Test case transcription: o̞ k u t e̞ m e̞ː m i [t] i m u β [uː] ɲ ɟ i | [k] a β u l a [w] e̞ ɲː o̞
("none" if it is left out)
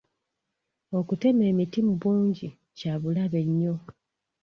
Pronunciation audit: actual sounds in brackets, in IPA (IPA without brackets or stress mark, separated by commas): t, uː, c, β